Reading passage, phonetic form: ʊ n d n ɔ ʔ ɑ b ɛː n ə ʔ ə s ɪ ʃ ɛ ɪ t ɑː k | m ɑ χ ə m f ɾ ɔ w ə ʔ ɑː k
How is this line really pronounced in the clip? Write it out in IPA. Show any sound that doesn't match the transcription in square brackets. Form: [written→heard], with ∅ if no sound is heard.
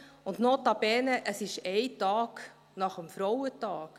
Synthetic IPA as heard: ʊ n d n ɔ [ʔ→t] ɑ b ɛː n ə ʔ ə s ɪ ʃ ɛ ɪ t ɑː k | [m→n] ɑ χ ə m f ɾ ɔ w ə [ʔ→t] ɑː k

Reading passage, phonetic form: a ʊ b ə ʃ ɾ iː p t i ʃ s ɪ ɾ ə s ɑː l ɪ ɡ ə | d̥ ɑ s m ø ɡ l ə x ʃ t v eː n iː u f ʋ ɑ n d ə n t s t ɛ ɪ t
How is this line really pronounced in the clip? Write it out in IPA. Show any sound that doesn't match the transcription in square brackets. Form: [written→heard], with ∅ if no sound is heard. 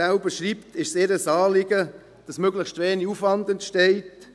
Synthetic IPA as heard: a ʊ b ə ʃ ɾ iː p t [i→ɪ] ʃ s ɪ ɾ ə s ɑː l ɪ ɡ ə | d̥ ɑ s m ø ɡ l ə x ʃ t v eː n [iː→i] u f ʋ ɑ n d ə n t [s→ʃ] t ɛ ɪ t

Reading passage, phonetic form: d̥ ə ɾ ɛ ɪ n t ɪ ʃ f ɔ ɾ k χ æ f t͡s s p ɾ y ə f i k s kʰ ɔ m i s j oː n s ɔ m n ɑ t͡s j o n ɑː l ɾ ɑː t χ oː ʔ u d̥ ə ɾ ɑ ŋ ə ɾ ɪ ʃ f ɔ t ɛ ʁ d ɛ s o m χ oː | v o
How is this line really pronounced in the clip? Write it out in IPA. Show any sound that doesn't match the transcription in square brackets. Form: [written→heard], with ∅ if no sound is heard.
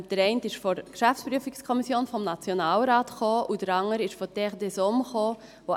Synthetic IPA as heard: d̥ ə ɾ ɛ ɪ n t ɪ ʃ f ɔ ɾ k [χ→ʃ] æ f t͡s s p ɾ y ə f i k s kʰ ɔ m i s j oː n [s→f] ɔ m n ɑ t͡s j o n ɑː l ɾ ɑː t χ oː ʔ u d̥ ə ɾ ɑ ŋ ə ɾ ɪ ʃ f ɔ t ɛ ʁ d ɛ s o m χ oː | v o

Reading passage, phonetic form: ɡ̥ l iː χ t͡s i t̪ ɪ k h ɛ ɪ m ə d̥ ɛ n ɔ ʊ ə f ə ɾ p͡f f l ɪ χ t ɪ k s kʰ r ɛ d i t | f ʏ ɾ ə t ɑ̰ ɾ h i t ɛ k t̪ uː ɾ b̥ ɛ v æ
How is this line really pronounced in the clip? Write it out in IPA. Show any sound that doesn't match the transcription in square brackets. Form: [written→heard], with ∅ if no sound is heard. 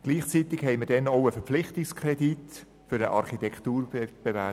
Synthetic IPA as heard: ɡ̥ l iː χ t͡s i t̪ ɪ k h ɛ ɪ m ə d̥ ɛ n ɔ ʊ ə f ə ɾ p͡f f l ɪ χ t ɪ k s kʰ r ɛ d i t | f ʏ ɾ ə [t→ʔ] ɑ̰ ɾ [h→χ] i t ɛ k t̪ uː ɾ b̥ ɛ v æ

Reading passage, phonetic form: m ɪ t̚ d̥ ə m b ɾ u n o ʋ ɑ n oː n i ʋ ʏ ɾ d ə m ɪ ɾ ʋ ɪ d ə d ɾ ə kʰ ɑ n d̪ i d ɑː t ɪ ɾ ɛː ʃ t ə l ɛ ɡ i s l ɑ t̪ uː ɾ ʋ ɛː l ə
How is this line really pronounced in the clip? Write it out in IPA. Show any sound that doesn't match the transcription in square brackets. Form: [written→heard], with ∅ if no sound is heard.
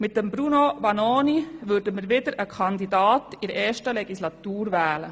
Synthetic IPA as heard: m ɪ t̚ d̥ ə m b ɾ u n o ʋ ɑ n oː n i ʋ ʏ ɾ d ə m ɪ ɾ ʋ ɪ d ə [d→∅] ɾ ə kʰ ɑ n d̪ i d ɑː t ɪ ɾ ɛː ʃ t ə l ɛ ɡ i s l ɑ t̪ uː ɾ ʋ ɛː l ə

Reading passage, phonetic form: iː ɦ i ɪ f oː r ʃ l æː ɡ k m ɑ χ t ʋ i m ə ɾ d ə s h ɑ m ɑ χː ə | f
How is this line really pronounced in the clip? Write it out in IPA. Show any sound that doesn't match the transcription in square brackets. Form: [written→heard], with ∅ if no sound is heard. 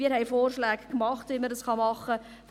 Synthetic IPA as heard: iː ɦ [i→ɛ] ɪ f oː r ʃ l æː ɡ k m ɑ χ t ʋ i m ə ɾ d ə s [h→χ] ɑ m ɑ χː ə | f

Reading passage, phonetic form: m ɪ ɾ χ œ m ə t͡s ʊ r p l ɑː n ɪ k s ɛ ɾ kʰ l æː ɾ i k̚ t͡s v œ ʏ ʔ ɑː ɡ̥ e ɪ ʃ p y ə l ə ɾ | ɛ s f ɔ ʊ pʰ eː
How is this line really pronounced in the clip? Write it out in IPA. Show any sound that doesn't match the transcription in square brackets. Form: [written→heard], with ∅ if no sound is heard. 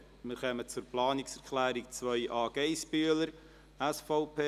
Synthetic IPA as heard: m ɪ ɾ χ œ m ə t͡s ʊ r p l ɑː n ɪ k s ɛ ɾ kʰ l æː ɾ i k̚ t͡s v œ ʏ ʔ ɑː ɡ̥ e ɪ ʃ p y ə l ə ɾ | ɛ s f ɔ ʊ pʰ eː

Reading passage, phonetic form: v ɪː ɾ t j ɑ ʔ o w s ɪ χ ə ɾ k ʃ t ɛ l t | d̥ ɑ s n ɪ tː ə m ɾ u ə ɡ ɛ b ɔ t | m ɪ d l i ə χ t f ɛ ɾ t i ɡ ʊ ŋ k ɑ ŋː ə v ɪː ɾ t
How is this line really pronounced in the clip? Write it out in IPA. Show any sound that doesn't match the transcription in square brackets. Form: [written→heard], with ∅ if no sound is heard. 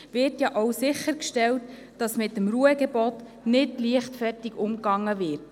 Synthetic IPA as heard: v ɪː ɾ t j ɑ ʔ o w s ɪ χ ə ɾ k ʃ t ɛ l t | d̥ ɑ s [n→m] ɪ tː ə m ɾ u ə ɡ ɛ b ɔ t | [m→n] ɪ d l i ə χ t f ɛ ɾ t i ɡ ʊ [ŋ→m] k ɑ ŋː ə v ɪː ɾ t

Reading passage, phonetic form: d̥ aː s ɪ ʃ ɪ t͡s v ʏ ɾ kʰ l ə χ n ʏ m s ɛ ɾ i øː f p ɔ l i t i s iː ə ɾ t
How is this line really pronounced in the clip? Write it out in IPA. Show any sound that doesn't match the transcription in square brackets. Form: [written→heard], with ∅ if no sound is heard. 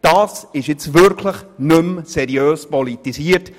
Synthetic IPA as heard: d̥ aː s ɪ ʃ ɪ t͡s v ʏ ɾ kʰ l ə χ n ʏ m s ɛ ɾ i øː [f→s] p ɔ l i t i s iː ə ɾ t

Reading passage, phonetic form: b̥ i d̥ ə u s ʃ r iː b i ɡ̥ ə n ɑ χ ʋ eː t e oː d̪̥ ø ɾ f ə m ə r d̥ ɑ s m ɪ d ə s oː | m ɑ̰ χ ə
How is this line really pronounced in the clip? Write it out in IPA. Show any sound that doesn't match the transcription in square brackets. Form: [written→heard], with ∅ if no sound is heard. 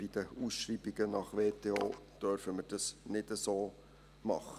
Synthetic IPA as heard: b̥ i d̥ ə u s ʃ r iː b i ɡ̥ ə n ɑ χ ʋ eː t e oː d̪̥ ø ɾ f ə m ə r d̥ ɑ s [m→n] ɪ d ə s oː | m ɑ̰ χ ə

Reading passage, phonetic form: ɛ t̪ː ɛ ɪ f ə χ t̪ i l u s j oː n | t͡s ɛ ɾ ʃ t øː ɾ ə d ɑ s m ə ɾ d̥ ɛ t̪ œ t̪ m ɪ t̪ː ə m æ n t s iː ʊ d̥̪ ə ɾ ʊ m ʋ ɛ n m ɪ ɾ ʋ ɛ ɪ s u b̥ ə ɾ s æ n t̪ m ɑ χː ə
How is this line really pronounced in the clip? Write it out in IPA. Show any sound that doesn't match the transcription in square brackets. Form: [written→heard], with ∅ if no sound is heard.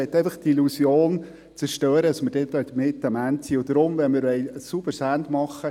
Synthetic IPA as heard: ɛ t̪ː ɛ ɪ f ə χ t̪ i l u s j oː n | t͡s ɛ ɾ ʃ t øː ɾ ə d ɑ s m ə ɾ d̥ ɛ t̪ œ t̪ m ɪ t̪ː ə m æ n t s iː ʊ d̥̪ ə ɾ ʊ m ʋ ɛ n m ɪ ɾ ʋ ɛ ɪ s u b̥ ə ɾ s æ n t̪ m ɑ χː ə

